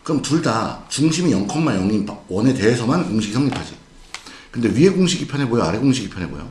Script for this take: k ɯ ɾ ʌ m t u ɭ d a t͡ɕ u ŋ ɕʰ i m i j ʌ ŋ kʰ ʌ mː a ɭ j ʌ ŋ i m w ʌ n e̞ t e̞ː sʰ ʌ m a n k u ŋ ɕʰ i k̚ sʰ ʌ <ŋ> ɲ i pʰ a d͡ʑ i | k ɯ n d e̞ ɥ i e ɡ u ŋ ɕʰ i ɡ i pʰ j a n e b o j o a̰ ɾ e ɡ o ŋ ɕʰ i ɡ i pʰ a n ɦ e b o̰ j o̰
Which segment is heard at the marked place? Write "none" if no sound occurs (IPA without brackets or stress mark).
ŋ